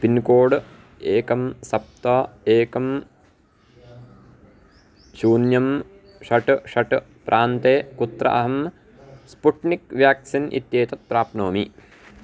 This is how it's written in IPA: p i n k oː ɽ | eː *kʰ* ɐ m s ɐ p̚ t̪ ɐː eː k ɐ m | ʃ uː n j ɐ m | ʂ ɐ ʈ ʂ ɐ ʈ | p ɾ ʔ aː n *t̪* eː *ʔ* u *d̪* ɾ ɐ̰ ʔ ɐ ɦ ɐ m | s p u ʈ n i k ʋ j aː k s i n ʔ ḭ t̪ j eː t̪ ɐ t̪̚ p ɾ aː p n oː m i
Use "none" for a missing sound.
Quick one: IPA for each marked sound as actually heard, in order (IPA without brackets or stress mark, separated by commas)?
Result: k, t̪, k, t̪